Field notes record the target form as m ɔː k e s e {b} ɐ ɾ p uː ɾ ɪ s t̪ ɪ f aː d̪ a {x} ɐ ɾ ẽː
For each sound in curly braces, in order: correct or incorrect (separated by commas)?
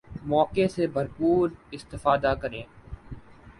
correct, incorrect